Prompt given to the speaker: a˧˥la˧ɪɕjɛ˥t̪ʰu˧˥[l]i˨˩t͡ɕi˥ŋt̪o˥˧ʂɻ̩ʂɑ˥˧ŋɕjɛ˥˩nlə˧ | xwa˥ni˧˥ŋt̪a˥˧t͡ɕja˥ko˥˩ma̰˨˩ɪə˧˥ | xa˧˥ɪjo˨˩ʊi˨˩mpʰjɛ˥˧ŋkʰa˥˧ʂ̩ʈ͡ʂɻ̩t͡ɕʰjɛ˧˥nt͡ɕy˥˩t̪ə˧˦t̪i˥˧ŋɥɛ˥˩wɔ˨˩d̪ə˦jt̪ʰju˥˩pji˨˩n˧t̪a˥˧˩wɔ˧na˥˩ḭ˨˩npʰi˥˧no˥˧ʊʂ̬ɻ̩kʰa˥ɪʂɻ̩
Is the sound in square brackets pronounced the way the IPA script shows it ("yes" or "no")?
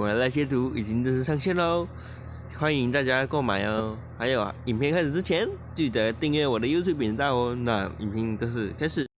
no